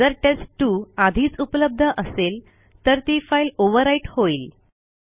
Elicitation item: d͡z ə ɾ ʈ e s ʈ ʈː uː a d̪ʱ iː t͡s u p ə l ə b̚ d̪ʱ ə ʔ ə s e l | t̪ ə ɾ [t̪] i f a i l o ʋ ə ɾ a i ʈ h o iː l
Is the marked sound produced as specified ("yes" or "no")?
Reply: yes